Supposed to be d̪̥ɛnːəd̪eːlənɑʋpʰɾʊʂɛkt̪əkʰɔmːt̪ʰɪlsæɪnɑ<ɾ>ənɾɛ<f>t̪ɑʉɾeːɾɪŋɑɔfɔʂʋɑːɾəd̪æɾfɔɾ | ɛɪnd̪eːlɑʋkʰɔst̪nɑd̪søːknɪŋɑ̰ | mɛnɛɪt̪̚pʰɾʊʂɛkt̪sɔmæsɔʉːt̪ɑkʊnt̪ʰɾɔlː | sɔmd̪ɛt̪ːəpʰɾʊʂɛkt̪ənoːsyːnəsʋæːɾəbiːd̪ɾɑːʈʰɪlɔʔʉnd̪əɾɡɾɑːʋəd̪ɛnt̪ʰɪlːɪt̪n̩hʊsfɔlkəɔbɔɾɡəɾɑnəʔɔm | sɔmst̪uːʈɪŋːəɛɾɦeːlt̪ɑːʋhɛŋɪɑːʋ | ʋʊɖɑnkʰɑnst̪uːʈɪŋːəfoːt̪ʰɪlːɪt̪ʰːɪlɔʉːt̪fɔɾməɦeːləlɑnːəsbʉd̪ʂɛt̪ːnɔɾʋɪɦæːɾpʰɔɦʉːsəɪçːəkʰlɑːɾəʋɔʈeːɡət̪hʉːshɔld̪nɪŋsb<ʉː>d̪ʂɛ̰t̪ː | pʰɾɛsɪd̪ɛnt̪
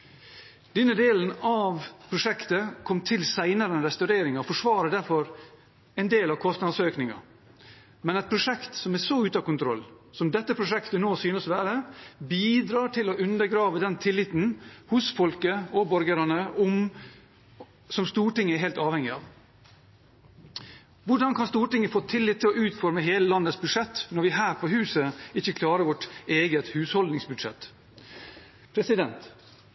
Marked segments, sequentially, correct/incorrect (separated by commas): correct, incorrect, incorrect